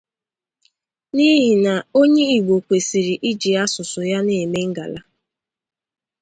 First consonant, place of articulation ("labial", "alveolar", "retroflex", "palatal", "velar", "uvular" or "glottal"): alveolar